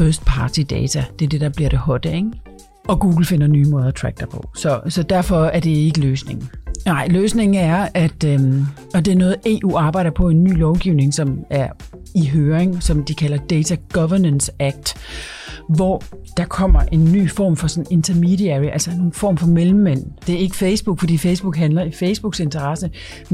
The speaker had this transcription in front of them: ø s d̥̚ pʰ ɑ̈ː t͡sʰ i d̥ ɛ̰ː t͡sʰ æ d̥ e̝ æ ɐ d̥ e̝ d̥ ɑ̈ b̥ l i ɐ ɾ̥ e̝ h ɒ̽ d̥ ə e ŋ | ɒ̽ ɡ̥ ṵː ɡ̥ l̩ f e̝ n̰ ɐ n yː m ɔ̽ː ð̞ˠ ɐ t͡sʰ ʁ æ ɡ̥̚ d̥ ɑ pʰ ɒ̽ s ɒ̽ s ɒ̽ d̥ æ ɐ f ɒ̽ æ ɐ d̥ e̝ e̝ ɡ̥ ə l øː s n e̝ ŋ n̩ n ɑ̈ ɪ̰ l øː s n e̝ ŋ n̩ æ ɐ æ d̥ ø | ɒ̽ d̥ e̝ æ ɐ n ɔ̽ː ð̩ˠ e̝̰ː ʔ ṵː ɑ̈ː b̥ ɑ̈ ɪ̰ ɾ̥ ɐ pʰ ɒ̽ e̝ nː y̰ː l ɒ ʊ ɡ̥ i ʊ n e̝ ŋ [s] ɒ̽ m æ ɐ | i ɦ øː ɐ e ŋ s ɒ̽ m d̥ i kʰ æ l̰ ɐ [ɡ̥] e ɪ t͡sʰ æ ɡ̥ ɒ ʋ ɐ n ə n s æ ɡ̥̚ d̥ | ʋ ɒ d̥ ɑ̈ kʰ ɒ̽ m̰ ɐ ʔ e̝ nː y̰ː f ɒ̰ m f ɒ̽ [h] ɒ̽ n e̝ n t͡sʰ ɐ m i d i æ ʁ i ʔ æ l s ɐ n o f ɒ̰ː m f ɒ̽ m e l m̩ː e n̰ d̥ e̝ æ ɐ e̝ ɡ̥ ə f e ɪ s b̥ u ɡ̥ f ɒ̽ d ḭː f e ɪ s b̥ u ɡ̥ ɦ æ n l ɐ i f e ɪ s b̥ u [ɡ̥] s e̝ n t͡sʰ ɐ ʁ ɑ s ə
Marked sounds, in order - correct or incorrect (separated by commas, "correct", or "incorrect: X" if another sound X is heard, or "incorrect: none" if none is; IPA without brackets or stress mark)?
correct, incorrect: d̥, incorrect: s, correct